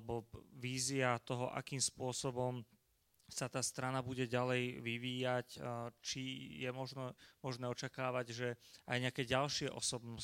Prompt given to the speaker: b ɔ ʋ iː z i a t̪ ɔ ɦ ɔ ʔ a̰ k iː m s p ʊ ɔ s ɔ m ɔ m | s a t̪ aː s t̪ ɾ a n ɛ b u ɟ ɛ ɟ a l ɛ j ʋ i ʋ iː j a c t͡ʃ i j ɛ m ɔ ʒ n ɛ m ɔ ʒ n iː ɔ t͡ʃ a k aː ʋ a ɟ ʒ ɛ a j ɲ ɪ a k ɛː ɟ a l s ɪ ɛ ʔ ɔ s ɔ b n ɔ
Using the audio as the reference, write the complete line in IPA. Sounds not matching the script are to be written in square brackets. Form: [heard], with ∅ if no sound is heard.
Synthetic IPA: b ɔ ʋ iː z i a t̪ ɔ ɦ ɔ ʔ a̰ k iː m s p ʊ ɔ s ɔ [b] ɔ m | s a t̪ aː s t̪ ɾ a n [a] b u ɟ ɛ ɟ a l ɛ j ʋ i ʋ iː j a c t͡ʃ i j ɛ m ɔ ʒ n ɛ m ɔ ʒ n [ɛː] ɔ t͡ʃ a k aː ʋ a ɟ ʒ ɛ a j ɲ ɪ a k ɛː ɟ a l [ʃ] ɪ ɛ ʔ ɔ s ɔ b n ɔ